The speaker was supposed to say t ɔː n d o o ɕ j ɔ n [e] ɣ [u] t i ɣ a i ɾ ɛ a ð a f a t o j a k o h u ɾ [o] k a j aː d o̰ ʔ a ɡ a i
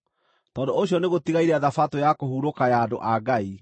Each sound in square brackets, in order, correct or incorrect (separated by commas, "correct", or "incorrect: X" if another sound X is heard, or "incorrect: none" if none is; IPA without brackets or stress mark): correct, incorrect: o, correct